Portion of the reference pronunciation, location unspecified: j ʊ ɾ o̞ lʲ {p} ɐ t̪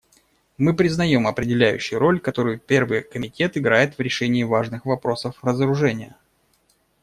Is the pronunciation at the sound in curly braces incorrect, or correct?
incorrect